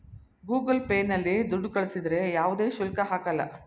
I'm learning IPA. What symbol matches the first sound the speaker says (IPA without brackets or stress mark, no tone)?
ɡ